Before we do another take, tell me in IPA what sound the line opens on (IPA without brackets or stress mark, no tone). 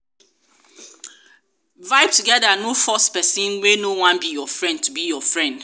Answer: v